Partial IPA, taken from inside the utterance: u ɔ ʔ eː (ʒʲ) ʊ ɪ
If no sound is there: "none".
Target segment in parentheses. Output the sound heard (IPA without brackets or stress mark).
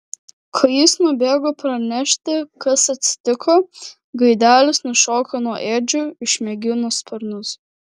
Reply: d͡ʒʲ